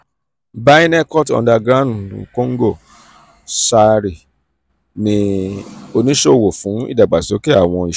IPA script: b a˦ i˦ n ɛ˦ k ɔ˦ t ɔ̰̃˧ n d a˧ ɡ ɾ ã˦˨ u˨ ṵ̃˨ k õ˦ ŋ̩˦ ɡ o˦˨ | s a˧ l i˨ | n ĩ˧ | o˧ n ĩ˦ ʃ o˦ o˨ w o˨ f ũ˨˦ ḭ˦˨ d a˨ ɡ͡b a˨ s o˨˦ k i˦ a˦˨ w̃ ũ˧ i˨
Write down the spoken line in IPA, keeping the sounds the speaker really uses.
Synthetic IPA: b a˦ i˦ n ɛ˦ k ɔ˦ t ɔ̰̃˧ n d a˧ ɡ ɾ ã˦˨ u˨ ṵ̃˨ k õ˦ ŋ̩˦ ɡ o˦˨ | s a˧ ɾ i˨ | n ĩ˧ | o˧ n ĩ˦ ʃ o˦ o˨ w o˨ f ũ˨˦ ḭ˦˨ d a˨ ɡ͡b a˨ s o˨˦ k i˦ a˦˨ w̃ ɔ̃˧ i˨